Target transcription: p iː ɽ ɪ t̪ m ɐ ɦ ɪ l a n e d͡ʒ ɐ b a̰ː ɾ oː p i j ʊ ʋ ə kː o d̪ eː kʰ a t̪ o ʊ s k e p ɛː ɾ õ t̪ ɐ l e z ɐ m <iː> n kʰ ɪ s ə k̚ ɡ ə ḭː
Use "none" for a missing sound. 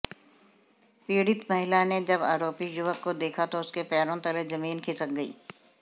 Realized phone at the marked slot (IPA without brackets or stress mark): iː